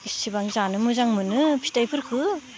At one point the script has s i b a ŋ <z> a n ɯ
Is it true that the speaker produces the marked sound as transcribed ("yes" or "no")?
yes